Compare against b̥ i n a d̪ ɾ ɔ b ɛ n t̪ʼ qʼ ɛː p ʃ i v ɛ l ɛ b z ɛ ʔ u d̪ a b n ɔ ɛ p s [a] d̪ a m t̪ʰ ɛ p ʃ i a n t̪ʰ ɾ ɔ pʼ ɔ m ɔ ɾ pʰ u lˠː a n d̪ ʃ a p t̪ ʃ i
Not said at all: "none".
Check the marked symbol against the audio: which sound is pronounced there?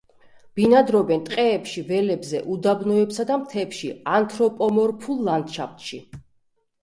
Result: a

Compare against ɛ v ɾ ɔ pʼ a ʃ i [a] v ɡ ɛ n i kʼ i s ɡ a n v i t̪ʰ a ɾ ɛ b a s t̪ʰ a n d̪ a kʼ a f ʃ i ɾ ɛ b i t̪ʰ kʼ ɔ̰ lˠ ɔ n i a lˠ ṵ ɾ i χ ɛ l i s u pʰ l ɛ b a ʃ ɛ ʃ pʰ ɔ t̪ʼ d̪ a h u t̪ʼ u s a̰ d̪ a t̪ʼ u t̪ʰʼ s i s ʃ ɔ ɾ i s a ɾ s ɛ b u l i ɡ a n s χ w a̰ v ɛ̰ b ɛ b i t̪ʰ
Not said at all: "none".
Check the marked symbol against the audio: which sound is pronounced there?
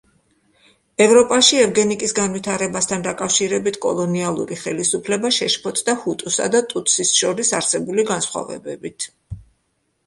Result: ɛ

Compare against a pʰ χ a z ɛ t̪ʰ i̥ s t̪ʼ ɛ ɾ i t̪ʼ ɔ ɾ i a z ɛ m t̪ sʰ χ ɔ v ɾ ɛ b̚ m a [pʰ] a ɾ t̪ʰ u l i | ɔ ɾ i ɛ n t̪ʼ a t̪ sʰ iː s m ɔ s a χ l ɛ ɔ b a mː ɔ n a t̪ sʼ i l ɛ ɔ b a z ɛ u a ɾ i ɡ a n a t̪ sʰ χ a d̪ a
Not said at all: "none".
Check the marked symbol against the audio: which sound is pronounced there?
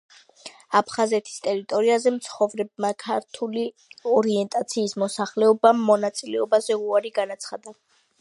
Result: kʰ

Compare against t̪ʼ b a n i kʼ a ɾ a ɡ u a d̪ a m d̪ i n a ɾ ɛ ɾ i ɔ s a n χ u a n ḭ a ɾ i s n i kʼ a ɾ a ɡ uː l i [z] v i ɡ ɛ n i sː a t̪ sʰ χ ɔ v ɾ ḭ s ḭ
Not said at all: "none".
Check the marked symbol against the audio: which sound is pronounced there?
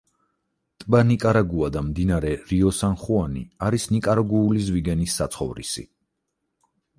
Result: z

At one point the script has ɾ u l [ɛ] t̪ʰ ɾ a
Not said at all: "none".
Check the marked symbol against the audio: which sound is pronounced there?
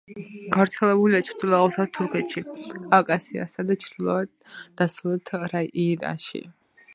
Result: ɛ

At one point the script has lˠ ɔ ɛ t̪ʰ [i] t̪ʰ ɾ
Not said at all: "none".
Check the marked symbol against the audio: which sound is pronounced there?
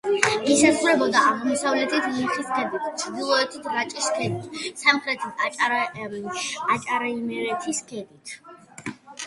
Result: i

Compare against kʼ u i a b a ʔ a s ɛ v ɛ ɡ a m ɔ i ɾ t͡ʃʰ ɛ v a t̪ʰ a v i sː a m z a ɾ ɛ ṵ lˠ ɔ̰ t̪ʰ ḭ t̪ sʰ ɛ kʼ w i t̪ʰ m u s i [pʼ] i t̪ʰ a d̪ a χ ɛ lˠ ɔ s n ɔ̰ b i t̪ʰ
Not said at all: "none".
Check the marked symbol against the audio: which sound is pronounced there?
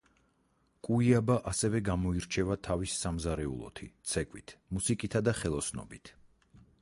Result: kʼ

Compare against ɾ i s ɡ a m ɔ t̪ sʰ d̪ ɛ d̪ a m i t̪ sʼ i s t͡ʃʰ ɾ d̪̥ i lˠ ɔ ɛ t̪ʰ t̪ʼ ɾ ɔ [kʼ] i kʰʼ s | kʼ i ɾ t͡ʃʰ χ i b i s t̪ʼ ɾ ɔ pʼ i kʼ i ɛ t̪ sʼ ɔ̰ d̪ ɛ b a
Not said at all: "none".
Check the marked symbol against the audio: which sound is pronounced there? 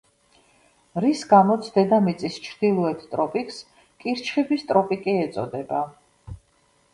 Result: pʼ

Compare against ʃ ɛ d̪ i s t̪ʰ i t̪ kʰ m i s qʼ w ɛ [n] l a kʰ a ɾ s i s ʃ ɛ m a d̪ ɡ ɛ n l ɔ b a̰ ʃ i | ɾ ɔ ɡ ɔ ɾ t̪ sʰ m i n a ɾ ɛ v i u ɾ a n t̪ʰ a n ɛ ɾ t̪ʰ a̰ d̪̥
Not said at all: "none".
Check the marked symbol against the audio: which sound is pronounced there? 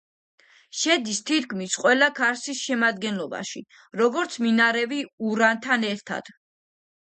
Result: none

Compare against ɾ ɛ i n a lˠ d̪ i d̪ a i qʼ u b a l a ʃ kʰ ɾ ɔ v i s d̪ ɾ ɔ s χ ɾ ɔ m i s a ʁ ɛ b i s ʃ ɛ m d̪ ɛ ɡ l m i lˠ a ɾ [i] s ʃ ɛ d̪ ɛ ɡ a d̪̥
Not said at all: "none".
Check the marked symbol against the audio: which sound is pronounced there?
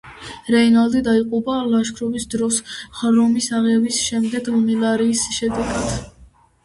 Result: iː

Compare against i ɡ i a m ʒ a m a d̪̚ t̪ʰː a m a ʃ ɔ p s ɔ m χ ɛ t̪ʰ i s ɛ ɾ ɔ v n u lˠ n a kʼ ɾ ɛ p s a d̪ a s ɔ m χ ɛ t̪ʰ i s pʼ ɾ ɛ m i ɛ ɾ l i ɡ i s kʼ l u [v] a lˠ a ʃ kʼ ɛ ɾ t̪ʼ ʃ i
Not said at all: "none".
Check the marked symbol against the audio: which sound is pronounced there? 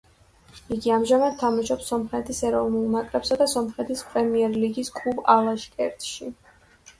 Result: b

